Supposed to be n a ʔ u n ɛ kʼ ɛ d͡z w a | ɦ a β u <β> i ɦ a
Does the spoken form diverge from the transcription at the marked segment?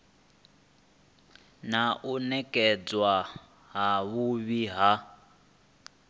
no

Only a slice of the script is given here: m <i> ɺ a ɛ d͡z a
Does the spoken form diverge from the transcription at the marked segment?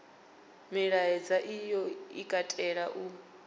no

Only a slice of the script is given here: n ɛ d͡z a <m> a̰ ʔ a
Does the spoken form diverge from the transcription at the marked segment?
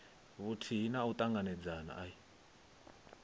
yes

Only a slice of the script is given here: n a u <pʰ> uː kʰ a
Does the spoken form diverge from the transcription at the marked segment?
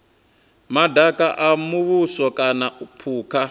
no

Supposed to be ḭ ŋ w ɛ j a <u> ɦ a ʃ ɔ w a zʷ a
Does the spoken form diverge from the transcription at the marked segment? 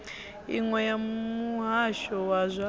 no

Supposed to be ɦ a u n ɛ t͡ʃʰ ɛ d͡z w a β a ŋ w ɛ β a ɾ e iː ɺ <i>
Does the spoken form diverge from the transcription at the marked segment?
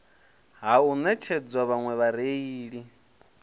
no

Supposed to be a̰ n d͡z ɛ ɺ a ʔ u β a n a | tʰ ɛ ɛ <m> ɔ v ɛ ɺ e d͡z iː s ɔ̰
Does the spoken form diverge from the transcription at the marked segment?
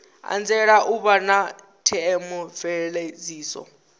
no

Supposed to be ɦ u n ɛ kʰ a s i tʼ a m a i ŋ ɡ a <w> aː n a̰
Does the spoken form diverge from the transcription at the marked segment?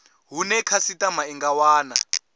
no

